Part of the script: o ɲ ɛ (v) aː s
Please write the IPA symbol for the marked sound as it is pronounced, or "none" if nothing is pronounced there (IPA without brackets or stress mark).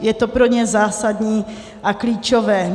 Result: z